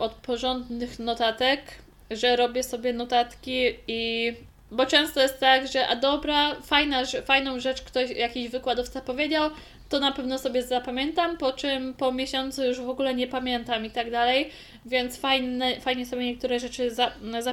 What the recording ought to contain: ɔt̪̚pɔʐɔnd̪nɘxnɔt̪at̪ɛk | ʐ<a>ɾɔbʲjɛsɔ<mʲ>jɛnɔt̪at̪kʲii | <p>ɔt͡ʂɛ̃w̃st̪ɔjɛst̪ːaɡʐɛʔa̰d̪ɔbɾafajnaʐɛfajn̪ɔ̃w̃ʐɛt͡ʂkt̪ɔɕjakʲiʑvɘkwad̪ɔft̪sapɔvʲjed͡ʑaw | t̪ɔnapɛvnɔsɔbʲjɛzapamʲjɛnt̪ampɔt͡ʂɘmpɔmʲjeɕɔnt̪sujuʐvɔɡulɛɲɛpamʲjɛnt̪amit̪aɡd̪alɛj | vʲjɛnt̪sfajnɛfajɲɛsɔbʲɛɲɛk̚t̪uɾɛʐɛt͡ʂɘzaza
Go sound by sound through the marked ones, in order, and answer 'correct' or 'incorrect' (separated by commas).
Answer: incorrect, incorrect, incorrect